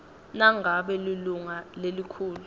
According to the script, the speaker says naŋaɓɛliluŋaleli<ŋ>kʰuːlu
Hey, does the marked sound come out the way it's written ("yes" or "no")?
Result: no